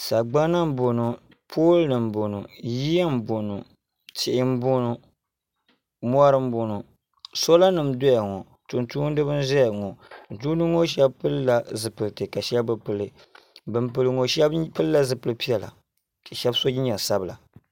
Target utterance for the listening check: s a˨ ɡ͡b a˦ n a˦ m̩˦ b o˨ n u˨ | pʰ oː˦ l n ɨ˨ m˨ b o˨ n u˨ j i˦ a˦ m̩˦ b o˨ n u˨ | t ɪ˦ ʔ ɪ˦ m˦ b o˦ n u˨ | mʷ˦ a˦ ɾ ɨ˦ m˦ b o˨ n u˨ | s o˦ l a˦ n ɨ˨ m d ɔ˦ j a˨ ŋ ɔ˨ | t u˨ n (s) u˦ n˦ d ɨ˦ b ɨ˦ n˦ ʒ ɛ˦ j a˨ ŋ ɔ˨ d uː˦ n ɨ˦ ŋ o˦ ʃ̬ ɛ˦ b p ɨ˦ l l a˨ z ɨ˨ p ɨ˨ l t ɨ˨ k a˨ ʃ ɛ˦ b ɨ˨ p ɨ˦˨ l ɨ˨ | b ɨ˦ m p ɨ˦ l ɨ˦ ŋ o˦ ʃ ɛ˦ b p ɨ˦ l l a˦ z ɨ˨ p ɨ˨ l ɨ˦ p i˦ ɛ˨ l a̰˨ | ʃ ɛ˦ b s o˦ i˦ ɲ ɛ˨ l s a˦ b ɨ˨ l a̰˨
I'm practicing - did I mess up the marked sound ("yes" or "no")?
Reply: yes